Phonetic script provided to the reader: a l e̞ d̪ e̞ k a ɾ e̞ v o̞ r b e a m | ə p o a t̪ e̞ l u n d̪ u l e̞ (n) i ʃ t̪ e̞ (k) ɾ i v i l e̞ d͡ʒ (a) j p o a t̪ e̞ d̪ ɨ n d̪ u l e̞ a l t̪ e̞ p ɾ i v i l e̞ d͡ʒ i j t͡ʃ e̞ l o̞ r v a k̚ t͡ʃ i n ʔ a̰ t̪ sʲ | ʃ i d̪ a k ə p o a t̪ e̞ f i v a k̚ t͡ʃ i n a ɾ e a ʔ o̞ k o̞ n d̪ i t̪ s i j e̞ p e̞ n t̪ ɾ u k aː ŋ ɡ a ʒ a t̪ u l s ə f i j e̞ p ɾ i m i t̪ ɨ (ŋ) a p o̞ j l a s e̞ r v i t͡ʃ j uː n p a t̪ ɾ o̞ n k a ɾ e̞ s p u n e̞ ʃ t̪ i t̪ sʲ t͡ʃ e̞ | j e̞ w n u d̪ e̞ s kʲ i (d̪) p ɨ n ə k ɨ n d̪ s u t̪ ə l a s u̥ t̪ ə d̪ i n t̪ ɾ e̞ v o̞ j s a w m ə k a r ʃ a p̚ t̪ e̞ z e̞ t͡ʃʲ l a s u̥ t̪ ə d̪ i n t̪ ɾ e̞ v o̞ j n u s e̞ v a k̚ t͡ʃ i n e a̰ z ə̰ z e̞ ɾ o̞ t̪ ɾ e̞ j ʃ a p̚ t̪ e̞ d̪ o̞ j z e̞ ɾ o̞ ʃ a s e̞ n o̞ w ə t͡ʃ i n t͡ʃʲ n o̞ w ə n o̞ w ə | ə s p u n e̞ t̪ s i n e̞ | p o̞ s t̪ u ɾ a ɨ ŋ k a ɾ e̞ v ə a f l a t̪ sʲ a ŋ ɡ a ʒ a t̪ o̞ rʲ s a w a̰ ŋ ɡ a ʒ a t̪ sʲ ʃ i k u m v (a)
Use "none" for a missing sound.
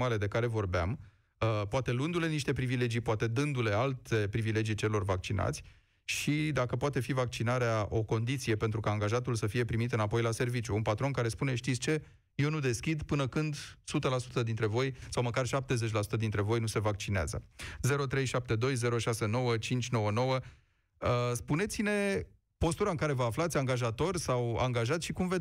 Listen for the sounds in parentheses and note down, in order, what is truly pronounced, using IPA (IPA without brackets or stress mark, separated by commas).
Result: n, p, i, n, d̪, e